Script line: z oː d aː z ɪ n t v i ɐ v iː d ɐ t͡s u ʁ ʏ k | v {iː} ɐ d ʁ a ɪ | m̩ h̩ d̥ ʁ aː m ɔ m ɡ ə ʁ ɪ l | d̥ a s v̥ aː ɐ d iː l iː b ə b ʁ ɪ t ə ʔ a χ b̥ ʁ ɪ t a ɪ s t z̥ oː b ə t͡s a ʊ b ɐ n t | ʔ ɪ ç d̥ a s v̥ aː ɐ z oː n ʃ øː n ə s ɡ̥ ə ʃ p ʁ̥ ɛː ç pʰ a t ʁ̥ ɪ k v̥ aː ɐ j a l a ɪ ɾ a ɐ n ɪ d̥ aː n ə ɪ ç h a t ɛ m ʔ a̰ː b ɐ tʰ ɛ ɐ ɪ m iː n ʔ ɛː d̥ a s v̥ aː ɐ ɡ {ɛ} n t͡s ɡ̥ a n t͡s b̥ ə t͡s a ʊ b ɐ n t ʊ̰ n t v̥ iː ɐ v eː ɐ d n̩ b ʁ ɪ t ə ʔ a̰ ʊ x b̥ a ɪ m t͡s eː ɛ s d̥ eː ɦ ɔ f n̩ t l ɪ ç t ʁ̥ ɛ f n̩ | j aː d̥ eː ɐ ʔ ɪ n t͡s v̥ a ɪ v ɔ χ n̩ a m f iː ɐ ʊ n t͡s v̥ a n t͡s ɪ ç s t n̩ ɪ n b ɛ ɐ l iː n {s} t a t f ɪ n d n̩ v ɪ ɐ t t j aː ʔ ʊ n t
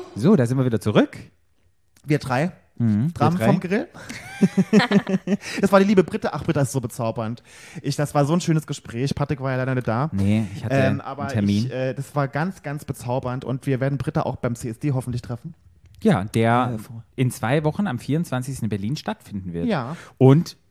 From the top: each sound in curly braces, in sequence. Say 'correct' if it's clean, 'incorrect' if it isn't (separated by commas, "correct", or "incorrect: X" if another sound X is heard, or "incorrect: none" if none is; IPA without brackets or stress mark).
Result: correct, incorrect: a, incorrect: ʃ